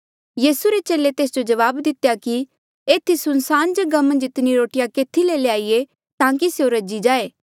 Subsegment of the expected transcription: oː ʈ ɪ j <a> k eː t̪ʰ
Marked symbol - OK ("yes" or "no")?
yes